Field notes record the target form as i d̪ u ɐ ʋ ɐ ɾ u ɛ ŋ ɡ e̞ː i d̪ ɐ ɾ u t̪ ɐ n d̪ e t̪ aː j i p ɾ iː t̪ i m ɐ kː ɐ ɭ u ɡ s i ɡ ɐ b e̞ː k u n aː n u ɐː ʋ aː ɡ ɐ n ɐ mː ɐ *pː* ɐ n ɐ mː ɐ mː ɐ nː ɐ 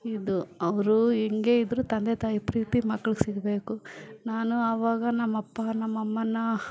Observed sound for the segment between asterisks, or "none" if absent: pː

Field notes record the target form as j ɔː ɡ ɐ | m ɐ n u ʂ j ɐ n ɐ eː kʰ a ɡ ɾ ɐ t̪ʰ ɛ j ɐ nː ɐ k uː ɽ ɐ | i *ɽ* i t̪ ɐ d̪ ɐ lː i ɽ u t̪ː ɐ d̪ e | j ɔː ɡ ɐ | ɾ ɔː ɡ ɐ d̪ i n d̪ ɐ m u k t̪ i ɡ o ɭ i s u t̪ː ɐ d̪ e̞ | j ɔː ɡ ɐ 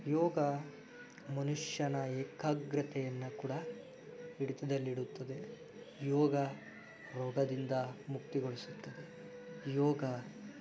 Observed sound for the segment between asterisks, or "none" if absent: ɽ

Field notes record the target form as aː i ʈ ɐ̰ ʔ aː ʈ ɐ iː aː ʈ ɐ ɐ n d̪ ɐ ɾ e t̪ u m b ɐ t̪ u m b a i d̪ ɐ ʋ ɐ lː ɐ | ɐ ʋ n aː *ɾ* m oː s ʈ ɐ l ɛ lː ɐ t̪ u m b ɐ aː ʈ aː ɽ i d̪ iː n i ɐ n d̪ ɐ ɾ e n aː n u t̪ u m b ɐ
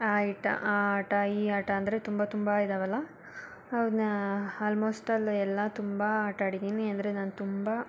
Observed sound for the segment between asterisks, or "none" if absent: l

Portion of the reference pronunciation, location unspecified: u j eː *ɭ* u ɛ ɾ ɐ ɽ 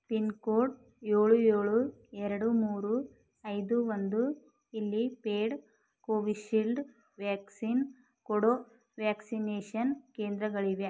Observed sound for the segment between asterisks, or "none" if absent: ɭ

